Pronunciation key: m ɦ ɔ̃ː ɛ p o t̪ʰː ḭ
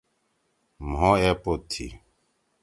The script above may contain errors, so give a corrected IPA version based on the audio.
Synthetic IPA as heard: m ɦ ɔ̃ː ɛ p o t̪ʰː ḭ